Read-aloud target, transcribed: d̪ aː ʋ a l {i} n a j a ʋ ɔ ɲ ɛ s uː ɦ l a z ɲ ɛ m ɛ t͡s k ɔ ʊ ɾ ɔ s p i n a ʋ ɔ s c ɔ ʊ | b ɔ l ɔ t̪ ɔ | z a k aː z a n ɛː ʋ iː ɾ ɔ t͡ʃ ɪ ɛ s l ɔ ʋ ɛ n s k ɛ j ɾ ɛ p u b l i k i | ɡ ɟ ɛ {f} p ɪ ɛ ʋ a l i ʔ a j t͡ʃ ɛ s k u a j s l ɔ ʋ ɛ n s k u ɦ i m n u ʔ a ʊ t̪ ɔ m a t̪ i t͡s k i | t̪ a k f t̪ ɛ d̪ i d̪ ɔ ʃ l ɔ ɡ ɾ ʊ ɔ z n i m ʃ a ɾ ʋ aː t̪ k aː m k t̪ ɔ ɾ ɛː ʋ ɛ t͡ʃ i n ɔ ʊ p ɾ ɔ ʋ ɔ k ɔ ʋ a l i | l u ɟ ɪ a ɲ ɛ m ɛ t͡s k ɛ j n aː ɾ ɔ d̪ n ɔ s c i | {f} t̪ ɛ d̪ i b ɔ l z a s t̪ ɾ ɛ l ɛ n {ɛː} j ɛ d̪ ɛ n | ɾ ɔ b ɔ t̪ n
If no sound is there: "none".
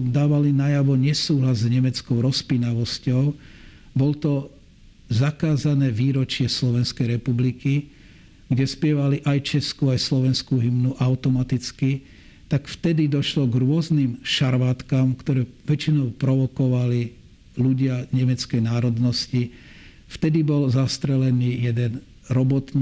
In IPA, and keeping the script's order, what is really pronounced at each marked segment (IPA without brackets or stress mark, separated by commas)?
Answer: i, s, f, iː